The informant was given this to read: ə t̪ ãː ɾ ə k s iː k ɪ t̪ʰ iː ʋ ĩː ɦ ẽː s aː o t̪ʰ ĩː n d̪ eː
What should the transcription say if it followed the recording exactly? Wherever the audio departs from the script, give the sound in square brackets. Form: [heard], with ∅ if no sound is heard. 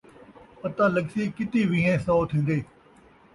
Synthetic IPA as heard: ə t̪ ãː [l] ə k s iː k ɪ [t̪] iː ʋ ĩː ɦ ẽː s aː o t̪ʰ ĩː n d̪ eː